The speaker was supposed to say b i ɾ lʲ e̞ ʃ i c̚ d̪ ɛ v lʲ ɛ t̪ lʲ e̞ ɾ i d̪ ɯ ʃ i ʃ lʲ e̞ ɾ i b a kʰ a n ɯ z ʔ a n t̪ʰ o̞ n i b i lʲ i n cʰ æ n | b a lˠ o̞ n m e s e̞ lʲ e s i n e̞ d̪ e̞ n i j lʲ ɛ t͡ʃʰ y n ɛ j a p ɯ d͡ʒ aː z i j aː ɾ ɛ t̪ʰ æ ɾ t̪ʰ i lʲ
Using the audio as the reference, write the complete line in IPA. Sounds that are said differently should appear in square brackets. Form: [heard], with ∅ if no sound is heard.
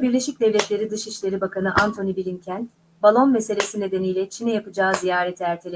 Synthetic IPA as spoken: b i ɾ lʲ e̞ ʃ i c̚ d̪ ɛ v lʲ ɛ t̪ lʲ e̞ ɾ i d̪ ɯ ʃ i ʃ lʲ e̞ ɾ i b a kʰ a n ɯ [∅] ʔ a n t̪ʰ o̞ n i b i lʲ i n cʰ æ n | b a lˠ o̞ n m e s e̞ lʲ e s i n e̞ d̪ e̞ n i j lʲ ɛ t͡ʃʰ [i] n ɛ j a p ɯ d͡ʒ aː z i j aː ɾ ɛ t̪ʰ æ ɾ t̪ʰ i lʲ

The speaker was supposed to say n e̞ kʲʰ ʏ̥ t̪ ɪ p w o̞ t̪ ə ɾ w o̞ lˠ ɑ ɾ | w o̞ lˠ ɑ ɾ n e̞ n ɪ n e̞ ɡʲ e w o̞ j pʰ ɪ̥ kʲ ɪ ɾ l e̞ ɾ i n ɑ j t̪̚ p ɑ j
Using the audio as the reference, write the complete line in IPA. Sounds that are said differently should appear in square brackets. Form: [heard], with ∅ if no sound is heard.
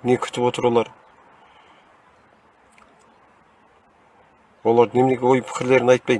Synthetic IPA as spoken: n e̞ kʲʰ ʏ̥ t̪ ɪ p w o̞ t̪ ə ɾ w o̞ lˠ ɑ ɾ | w o̞ lˠ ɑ ɾ n e̞ [m] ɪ n e̞ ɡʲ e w o̞ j pʰ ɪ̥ kʲ ɪ ɾ l e̞ ɾ [ɪ] n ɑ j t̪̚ p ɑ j

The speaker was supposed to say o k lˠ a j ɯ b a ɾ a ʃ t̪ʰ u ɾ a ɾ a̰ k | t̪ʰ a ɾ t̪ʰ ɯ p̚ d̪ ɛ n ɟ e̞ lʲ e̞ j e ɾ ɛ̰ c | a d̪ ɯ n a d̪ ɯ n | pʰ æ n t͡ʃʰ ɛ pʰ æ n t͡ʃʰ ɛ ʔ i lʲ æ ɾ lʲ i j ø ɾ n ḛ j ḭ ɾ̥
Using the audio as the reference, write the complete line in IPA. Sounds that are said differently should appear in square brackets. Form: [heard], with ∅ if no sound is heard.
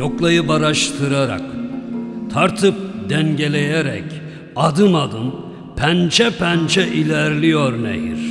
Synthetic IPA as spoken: o k lˠ a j ɯ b a ɾ a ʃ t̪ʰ [ɯ] ɾ a ɾ a̰ k | t̪ʰ a ɾ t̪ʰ ɯ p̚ d̪ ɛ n ɟ e̞ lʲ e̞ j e ɾ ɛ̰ c | a d̪ ɯ n a d̪ ɯ n | pʰ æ n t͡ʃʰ ɛ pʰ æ n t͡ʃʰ ɛ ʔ i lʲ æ ɾ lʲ i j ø ɾ n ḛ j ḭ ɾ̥

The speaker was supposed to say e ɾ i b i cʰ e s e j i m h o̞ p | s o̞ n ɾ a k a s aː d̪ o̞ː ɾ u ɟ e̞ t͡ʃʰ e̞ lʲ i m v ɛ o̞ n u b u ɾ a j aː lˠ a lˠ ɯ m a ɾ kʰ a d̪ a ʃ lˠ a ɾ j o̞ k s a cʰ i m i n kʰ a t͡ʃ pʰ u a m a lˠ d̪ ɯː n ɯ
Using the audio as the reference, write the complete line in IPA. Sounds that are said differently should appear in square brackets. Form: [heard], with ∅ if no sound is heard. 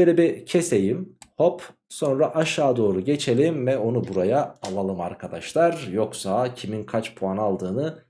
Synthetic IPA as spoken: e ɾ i b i cʰ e s e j i m h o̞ p | s o̞ n ɾ a [ʔ] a [ʃ] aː d̪ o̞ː ɾ u ɟ e̞ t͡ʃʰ e̞ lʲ i m v ɛ o̞ n u b u ɾ a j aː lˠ a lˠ ɯ m a ɾ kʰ a d̪ a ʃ lˠ a ɾ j o̞ k s a cʰ i m i n kʰ a t͡ʃ pʰ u a [n] a lˠ d̪ ɯː n ɯ

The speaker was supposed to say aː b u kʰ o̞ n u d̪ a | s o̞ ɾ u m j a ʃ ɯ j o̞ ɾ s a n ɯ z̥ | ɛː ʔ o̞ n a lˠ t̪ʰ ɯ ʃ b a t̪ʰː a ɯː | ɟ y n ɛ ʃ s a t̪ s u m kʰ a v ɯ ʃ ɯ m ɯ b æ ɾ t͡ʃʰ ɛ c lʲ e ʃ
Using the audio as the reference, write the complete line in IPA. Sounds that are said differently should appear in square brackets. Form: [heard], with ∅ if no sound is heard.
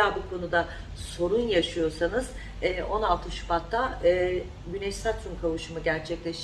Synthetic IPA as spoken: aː b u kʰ o̞ n u d̪ a | s o̞ ɾ u [n] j a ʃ ɯ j o̞ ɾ s a n ɯ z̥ | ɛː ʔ o̞ n a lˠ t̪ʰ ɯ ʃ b a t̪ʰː a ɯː | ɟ y n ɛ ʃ s a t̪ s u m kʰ a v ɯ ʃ ɯ m ɯ [ɟ] æ ɾ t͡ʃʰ ɛ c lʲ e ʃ

